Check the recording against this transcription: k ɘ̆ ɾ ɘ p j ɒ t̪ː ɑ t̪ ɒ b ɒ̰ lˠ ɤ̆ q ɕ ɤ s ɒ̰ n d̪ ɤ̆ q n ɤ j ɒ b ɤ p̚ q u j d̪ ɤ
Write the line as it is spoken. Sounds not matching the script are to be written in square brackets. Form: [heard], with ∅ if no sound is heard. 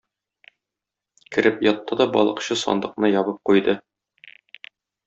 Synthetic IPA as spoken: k ɘ̆ ɾ ɘ p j ɒ t̪ː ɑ [d̪] ɒ b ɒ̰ lˠ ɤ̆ q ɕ ɤ s ɒ̰ n d̪ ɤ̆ q n ɤ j ɒ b ɤ p̚ q u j d̪ ɤ

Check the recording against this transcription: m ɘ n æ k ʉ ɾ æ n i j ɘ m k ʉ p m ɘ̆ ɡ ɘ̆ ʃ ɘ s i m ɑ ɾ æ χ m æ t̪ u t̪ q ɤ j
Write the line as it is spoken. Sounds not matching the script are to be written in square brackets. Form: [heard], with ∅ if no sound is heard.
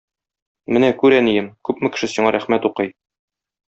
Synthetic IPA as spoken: m ɘ n æ k ʉ ɾ æ n i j ɘ m k ʉ p m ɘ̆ [k] ɘ̆ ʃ ɘ s i [ɴ] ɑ ɾ æ χ m æ t̪ u [∅] q ɤ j

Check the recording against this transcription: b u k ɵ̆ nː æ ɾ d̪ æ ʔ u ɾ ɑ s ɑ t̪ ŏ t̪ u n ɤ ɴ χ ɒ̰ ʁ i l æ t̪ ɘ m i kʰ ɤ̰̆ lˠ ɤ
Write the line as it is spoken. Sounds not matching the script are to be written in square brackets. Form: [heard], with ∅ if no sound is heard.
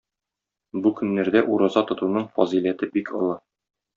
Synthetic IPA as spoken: b u k ɵ̆ nː æ ɾ d̪ æ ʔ u ɾ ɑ [z] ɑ t̪ ŏ t̪ u n ɤ ɴ [f] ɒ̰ [z] i l æ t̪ ɘ [b] i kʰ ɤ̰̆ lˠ ɤ

